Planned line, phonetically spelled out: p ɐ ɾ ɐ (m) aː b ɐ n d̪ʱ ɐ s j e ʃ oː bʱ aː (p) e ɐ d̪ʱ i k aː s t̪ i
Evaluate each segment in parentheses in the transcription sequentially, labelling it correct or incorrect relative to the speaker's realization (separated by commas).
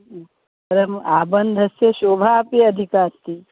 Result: correct, correct